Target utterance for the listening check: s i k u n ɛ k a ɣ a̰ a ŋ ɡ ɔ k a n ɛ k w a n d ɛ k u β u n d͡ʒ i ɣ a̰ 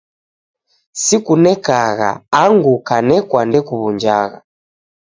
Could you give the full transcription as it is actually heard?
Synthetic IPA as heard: s i k u n ɛ k a ɣ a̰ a ŋ ɡ u k a n ɛ k w a n d ɛ k u β u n d͡ʒ a ɣ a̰